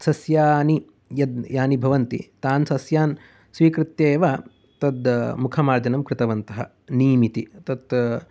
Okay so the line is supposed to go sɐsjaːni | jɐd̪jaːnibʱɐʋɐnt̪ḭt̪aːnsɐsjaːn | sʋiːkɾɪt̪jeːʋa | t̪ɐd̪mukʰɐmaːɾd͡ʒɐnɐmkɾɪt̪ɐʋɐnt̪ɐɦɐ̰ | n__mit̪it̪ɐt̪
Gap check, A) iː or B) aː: A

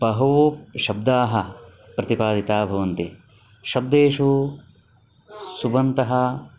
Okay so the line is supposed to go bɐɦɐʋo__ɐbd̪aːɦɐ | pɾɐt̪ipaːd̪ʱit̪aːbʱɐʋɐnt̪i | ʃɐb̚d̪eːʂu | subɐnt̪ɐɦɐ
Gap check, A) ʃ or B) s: A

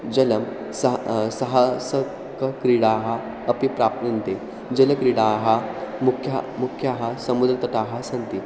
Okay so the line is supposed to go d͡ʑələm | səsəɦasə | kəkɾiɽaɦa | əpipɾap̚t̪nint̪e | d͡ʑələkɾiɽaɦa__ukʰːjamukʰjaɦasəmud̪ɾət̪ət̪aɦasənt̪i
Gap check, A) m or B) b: A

